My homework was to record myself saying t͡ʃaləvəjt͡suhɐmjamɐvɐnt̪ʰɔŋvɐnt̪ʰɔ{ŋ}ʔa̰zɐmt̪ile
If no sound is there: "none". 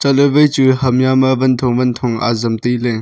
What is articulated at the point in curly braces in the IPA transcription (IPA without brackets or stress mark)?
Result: ŋ